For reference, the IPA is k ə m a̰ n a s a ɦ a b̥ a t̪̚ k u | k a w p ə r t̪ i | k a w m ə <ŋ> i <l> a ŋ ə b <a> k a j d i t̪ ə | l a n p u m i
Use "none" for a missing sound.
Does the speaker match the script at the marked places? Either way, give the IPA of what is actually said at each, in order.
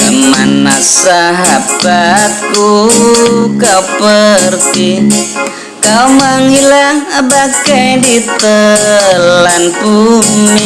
ŋ, l, a

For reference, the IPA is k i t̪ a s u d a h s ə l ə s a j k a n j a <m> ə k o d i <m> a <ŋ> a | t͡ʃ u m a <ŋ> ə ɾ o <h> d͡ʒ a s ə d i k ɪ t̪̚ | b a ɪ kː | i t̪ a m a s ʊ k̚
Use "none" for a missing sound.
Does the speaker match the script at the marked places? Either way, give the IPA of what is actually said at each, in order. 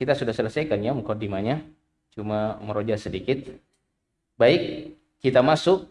m, m, ɲ, m, none

